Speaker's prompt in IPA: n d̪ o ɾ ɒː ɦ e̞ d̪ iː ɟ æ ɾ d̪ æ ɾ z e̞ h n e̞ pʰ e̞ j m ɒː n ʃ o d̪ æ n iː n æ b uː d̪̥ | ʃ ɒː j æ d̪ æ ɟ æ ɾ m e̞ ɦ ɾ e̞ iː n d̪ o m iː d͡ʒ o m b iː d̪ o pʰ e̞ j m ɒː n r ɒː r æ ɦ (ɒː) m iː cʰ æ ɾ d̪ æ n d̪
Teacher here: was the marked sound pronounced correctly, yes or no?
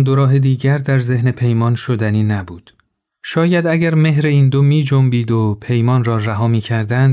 yes